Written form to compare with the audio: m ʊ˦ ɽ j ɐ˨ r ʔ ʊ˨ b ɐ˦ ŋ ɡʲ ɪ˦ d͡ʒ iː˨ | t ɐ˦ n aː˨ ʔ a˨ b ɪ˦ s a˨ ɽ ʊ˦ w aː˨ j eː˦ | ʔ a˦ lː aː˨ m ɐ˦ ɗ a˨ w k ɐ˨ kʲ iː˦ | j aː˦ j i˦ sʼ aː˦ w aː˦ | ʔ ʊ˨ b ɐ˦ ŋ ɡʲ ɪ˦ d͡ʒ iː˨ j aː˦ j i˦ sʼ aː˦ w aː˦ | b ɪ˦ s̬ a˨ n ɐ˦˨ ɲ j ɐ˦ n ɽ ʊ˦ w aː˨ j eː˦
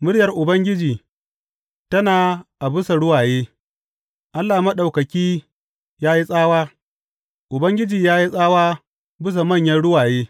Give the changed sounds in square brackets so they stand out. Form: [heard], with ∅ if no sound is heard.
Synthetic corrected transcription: m ʊ˦ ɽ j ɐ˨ r ʔ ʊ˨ b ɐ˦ ŋ ɡʲ ɪ˦ d͡ʒ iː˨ | t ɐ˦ n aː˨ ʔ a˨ b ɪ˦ s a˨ ɽ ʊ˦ w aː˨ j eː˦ | ʔ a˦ lː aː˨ m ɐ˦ ɗ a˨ w k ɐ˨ kʲ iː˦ | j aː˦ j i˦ sʼ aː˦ w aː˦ | ʔ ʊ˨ b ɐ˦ ŋ ɡʲ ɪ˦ d͡ʒ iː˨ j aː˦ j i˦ sʼ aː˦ w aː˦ | b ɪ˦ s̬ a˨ [m] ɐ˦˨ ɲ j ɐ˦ n ɽ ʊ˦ w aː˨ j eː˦

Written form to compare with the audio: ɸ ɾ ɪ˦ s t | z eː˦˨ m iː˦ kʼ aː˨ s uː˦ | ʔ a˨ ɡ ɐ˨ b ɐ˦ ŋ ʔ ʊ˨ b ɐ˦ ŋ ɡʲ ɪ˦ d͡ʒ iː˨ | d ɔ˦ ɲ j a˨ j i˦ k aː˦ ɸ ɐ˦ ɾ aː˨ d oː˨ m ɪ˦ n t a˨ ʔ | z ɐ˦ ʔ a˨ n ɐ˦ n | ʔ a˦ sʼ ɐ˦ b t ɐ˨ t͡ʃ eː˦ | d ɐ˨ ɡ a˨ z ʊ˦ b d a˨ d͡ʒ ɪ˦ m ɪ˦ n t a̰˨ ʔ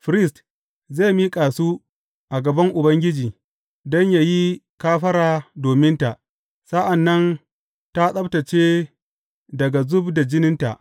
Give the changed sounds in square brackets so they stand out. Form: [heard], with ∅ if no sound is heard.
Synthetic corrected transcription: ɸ ɾ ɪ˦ s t | z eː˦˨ m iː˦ kʼ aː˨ s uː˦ | ʔ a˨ ɡ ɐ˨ b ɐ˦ ŋ ʔ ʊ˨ b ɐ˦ ŋ ɡʲ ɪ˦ d͡ʒ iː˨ | d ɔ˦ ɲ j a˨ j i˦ k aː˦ ɸ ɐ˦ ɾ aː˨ d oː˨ m ɪ˦ n t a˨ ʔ | [s] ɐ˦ ʔ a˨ [nː] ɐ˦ n | [t] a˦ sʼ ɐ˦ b t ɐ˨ t͡ʃ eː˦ | d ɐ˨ ɡ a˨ z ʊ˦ b d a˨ d͡ʒ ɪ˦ [n] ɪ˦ n t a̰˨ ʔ

